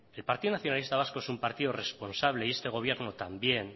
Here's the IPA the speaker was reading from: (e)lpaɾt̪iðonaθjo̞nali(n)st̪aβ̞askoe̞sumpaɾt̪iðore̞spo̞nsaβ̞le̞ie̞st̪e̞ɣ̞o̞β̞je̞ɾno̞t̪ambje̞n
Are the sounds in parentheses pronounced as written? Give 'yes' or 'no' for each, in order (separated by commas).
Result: yes, no